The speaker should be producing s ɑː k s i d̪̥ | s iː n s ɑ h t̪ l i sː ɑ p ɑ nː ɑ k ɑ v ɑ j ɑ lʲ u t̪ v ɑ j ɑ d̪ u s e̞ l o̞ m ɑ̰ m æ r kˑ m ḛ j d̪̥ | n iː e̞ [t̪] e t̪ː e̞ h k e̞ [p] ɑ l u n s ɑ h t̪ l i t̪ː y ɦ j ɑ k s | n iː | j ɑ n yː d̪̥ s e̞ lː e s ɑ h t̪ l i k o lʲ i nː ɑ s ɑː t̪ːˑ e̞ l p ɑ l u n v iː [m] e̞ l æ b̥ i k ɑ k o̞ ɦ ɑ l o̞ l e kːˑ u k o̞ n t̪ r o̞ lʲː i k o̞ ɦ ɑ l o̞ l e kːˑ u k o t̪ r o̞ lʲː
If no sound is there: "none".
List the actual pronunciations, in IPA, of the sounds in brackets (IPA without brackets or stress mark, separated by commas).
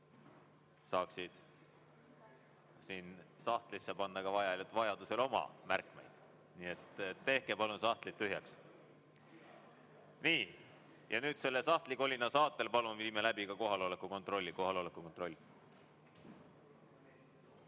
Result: t̪, p, m